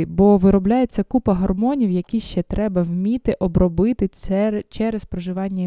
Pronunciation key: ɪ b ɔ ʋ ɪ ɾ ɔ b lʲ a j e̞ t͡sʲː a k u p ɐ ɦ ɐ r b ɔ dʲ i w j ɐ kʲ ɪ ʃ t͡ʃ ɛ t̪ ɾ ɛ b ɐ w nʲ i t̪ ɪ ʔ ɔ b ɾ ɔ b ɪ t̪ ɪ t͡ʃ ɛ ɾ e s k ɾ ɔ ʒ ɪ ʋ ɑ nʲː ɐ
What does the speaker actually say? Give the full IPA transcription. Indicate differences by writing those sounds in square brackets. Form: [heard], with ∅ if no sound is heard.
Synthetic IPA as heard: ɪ b ɔ ʋ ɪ ɾ ɔ b lʲ a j e̞ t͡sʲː [ɐ] k u p ɐ ɦ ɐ r [m] ɔ [nʲ] i w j ɐ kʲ [i] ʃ t͡ʃ ɛ t̪ ɾ ɛ b ɐ w [mʲ] i t̪ ɪ ʔ ɔ b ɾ ɔ b ɪ t̪ ɪ t͡ʃ ɛ ɾ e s [p] ɾ ɔ ʒ ɪ ʋ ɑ nʲː ɐ